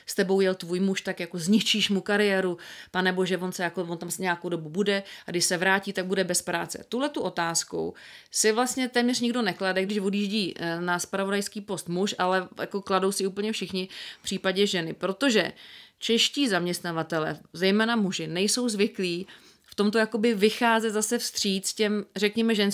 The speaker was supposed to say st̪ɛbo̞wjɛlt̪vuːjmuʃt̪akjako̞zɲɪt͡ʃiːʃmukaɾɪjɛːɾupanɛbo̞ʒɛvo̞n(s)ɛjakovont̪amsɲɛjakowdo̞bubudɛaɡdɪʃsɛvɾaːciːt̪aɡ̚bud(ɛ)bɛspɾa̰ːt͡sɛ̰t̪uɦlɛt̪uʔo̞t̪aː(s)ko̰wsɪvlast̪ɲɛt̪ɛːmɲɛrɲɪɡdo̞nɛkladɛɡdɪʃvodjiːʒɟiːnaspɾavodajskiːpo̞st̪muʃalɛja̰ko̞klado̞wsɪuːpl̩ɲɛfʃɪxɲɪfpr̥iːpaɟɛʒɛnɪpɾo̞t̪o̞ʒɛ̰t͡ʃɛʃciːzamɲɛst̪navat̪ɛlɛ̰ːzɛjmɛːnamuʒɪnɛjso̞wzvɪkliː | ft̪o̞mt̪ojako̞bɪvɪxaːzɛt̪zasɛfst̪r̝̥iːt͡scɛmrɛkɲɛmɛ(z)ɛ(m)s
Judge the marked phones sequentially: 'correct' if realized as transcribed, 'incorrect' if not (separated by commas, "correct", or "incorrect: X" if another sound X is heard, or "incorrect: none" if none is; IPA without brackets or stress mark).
correct, correct, correct, incorrect: ʒ, incorrect: n